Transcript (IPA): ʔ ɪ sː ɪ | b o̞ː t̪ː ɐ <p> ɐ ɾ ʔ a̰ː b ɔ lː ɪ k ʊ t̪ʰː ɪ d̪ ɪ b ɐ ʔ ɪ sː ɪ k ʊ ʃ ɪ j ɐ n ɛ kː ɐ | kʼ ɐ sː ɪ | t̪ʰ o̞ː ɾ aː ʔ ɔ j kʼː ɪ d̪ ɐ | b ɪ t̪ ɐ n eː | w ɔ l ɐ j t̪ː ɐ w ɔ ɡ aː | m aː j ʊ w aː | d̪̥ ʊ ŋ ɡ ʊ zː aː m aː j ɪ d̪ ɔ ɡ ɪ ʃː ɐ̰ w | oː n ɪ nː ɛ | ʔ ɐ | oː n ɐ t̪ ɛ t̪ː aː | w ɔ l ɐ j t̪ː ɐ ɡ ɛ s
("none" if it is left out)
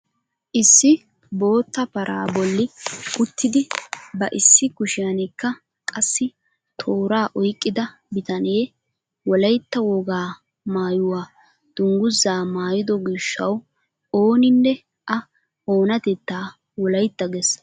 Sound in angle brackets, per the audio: p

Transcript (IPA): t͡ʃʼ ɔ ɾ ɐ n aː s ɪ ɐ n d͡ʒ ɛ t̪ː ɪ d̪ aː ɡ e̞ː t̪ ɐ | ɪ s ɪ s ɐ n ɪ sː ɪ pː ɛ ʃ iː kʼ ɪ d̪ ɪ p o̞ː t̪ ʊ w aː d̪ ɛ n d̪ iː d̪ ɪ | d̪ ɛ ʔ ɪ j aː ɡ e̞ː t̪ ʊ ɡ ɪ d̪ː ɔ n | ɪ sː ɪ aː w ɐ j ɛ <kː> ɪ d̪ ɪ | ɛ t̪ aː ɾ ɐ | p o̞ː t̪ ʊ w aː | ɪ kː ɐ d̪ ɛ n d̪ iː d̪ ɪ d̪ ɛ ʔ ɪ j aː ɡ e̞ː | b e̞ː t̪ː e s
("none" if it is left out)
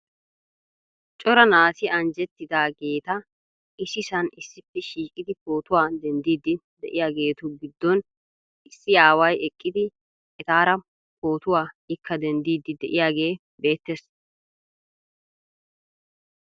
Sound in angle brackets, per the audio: kʼː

